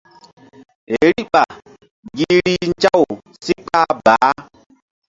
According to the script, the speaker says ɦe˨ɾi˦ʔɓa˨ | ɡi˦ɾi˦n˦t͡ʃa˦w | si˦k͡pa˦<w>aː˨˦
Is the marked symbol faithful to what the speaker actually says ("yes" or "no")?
no